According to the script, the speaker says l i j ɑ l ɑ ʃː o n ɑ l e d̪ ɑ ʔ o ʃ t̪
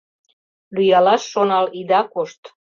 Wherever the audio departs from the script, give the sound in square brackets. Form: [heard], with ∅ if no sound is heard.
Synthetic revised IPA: l [y] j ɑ l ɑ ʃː o n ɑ l [i] d̪ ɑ [k] o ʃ t̪